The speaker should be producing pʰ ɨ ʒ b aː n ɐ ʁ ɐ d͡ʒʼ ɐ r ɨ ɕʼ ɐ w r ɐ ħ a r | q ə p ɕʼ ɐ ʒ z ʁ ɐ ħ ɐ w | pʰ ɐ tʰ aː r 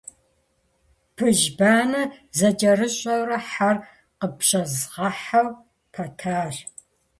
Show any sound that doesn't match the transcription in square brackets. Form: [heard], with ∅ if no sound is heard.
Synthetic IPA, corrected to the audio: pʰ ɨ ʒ b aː n ɐ [z] ɐ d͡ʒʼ ɐ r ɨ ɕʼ ɐ w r ɐ ħ a r | q ə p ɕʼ ɐ [∅] z ʁ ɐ ħ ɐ w | pʰ ɐ tʰ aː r